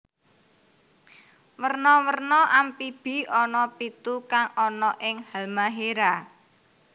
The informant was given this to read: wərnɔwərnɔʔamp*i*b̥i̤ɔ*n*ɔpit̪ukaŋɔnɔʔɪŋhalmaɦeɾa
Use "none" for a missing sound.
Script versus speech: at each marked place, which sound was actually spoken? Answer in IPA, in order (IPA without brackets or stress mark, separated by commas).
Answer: i, n